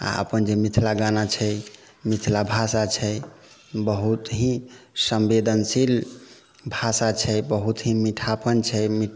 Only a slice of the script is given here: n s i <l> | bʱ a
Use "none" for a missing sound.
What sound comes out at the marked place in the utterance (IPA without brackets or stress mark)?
l